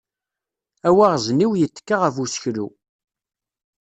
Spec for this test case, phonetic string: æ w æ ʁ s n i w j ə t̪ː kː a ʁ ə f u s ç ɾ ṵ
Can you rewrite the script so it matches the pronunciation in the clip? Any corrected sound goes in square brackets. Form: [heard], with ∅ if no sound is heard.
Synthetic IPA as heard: æ w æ ʁ [z] n i w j ə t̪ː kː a ʁ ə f u s ç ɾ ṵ